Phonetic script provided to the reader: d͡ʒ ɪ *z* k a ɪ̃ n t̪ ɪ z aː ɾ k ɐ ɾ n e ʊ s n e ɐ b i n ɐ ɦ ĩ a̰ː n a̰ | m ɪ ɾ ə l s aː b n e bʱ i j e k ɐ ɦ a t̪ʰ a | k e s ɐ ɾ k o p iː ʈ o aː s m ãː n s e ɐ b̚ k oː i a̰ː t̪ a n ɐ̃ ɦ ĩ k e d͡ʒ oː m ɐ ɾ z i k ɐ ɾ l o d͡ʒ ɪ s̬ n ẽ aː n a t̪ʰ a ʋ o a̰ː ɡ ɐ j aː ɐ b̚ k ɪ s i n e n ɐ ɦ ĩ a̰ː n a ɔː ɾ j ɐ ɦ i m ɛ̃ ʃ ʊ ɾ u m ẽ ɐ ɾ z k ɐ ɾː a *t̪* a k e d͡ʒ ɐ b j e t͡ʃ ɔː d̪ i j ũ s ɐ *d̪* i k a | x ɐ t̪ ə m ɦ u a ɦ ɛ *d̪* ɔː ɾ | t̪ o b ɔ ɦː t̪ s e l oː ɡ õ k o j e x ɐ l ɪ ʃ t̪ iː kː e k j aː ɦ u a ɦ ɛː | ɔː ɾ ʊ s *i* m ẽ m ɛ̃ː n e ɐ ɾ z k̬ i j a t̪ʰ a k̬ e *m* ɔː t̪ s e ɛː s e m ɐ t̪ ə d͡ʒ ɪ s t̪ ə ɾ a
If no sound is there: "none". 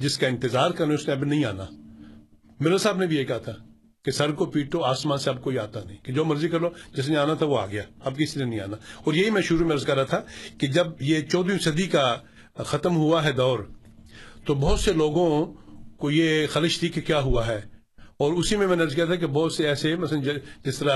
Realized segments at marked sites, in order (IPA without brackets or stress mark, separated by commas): s, t̪ʰ, d̪, d̪, i, b